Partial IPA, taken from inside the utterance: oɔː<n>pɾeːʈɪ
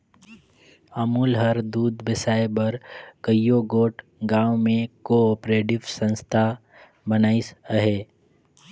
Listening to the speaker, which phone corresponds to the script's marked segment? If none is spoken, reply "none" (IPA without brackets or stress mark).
none